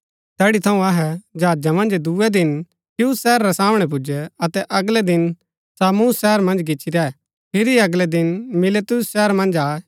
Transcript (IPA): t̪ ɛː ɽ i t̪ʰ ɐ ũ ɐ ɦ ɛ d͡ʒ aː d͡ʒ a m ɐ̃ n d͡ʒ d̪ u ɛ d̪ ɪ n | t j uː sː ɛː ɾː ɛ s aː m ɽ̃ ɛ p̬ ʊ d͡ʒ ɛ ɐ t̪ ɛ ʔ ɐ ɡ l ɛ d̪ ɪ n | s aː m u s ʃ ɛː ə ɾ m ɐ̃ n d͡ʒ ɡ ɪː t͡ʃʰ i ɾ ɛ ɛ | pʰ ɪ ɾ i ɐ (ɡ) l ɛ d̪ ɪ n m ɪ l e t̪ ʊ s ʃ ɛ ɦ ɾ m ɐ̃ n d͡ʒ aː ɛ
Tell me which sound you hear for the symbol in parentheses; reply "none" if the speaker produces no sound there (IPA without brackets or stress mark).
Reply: ɡ